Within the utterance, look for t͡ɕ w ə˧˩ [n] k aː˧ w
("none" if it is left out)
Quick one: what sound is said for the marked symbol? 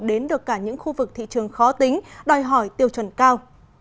n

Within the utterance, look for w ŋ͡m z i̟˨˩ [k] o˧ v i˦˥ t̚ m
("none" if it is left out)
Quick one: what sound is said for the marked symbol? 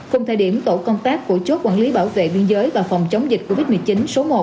k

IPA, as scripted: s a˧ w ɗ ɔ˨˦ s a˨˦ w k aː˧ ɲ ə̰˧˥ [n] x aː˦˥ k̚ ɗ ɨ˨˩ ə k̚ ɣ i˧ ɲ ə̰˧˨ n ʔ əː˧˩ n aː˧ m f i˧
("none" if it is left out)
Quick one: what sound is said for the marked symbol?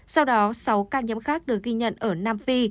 m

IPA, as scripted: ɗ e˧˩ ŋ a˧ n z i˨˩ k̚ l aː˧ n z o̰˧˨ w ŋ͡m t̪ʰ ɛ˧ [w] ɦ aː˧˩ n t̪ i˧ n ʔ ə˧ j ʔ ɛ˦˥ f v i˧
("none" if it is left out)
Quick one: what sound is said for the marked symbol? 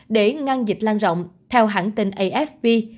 w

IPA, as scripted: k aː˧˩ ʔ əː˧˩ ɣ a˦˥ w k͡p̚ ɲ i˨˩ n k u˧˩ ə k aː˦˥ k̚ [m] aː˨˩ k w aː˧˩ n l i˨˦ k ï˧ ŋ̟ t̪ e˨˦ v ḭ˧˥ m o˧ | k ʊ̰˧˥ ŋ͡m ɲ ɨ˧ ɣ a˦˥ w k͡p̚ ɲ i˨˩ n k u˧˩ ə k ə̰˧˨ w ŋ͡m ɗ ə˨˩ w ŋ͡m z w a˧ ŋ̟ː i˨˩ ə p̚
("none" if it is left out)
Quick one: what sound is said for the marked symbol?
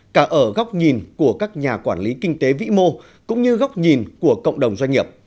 ɲ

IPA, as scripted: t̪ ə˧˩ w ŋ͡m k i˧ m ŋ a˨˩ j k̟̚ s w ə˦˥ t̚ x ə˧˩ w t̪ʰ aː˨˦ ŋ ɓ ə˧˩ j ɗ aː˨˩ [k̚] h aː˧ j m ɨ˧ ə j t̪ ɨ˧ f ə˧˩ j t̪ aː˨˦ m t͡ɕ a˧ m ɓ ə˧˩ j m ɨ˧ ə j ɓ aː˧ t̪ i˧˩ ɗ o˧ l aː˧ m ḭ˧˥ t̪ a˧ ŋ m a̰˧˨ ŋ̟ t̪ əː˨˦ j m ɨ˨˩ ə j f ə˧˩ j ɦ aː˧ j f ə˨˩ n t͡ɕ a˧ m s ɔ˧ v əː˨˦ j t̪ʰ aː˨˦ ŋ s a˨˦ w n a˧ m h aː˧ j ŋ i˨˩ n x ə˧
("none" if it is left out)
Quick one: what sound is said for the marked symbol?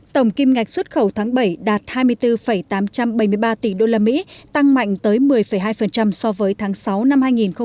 t̚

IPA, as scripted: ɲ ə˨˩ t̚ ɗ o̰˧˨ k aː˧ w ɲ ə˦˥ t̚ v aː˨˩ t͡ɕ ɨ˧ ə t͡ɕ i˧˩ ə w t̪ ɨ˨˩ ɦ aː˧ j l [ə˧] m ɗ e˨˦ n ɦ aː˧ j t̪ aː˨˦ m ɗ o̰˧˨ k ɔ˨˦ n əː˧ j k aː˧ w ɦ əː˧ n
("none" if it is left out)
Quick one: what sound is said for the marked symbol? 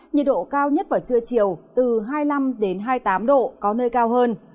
a˧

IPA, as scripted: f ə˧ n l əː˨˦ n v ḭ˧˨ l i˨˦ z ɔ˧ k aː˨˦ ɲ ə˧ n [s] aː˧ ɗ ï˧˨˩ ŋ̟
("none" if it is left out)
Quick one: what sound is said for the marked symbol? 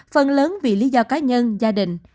z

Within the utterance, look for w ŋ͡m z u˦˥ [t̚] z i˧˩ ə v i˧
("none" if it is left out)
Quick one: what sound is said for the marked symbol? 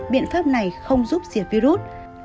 p̚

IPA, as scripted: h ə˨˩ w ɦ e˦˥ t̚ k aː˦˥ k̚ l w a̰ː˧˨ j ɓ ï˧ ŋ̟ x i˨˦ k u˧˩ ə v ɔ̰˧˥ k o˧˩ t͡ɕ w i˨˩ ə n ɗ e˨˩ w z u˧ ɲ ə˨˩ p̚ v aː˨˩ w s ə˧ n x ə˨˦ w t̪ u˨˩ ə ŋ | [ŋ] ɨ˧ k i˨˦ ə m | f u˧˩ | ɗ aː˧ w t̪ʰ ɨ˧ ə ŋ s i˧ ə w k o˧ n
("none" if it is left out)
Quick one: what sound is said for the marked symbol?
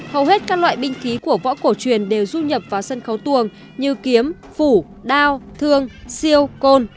ɲ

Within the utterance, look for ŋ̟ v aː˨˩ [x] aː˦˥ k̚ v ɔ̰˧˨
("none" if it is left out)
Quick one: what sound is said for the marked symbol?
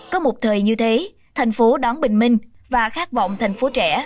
x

